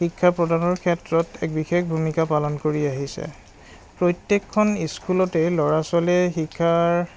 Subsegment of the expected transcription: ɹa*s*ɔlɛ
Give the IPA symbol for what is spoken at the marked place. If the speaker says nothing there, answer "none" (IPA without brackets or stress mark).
s